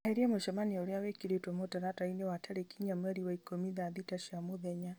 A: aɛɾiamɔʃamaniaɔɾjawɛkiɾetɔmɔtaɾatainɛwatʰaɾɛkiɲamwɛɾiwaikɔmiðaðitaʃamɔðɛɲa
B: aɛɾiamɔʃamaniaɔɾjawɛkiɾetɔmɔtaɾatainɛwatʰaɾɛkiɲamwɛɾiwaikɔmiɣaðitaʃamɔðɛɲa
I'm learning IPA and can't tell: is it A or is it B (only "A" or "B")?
A